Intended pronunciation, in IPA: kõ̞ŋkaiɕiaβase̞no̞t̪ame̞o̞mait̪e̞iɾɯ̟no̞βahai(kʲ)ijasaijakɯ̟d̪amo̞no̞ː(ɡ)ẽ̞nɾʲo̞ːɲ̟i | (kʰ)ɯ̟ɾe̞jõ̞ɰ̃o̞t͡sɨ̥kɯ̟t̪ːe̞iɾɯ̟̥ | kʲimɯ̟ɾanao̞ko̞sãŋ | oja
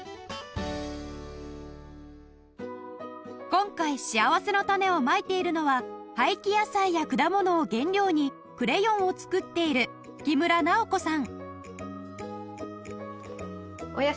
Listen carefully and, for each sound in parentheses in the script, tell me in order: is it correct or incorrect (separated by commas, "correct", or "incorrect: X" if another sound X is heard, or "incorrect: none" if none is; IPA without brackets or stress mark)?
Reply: correct, correct, incorrect: k